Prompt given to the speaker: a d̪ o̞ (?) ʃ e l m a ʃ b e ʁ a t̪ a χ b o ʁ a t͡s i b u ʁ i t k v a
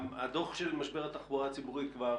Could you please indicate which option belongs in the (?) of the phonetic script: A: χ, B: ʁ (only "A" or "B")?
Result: A